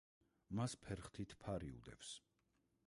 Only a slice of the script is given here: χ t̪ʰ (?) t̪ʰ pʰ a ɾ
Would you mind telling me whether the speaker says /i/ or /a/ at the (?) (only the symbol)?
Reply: i